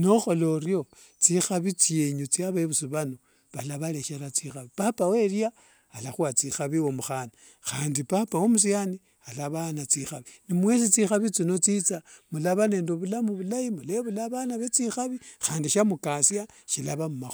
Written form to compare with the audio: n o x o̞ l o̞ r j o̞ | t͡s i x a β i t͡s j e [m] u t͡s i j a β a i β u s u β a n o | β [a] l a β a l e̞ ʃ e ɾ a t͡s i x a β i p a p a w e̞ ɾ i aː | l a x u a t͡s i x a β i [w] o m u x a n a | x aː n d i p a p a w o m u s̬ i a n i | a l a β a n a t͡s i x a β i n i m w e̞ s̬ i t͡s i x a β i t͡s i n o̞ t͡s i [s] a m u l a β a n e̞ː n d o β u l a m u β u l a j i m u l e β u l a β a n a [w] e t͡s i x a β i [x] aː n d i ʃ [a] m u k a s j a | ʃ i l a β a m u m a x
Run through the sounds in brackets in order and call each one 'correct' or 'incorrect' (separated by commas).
incorrect, correct, correct, incorrect, incorrect, correct, correct